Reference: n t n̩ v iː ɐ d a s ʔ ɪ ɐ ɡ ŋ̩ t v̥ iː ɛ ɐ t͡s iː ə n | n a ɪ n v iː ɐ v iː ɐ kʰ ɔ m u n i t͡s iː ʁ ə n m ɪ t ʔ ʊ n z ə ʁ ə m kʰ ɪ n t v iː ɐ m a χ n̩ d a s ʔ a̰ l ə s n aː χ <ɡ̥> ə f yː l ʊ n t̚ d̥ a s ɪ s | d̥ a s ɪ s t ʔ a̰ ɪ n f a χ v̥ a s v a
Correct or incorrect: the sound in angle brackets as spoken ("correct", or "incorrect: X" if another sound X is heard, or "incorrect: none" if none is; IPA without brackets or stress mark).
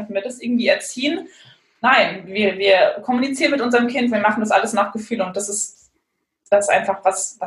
correct